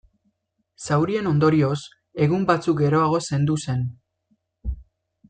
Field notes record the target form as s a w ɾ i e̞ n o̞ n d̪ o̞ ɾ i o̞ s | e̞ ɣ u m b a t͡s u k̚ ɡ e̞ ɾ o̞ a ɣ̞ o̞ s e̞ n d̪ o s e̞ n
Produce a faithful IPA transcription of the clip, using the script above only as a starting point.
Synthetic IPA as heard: s a w ɾ i e̞ n o̞ n d̪ o̞ ɾ i o̞ s | e̞ ɣ u m b a t͡s u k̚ ɡ e̞ ɾ o̞ a ɣ̞ o̞ s e̞ n d̪ u s e̞ n